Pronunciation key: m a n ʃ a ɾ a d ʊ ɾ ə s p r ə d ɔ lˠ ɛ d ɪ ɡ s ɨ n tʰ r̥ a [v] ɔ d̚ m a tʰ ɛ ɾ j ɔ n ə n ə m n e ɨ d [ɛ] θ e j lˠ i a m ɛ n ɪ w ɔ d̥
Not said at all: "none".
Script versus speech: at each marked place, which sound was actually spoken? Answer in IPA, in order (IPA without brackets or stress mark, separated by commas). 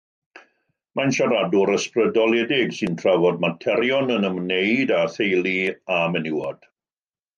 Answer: v, a